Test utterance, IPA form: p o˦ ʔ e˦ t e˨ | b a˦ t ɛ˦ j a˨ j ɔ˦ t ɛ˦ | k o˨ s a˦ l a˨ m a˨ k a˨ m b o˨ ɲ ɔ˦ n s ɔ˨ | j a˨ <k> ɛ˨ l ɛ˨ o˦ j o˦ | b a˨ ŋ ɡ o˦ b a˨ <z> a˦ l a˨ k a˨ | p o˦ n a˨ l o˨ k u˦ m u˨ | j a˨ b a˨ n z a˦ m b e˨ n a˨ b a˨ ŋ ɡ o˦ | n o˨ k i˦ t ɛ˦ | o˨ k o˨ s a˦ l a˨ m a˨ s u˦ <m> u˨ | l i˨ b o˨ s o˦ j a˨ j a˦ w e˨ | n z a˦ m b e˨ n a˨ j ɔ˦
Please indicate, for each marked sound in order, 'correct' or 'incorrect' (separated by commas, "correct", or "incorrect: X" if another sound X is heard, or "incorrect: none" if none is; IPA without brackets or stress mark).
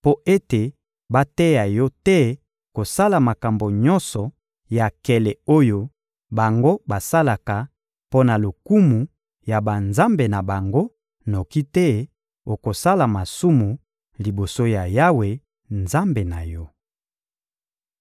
correct, incorrect: s, correct